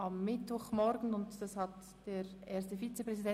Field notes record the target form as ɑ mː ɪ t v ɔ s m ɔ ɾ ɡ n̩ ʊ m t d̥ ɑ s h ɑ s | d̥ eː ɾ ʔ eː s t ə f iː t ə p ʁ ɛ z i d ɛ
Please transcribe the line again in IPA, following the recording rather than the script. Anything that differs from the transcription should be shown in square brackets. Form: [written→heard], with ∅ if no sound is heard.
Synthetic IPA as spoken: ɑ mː ɪ t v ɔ [s→χ] m ɔ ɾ ɡ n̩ ʊ [m→n] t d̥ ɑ s h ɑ [s→t] | d̥ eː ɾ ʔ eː s t ə f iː [t→t͡s] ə p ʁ ɛ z i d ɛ